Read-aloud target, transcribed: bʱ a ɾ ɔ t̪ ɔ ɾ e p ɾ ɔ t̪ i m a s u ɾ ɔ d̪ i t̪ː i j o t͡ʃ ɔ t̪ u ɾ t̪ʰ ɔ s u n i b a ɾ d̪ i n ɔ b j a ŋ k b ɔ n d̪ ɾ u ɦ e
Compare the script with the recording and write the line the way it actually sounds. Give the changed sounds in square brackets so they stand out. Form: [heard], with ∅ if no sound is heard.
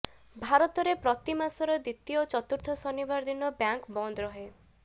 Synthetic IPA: bʱ a ɾ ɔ t̪ ɔ ɾ e p ɾ ɔ t̪ i m a s [ɔ] ɾ ɔ d̪ i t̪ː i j o t͡ʃ ɔ t̪ u ɾ t̪ʰ ɔ s [ɔ] n i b a ɾ d̪ i n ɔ b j a ŋ k b ɔ n d̪ ɾ [ɔ] ɦ e